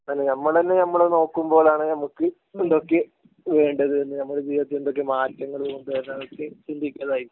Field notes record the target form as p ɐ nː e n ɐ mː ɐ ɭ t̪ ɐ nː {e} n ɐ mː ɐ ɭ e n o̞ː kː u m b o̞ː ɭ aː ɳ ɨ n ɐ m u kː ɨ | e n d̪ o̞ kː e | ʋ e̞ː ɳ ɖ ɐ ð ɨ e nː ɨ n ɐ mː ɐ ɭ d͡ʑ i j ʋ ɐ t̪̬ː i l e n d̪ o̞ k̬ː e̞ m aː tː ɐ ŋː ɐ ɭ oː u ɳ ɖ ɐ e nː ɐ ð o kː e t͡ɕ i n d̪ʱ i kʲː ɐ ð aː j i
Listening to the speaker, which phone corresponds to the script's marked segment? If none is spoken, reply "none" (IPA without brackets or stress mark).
e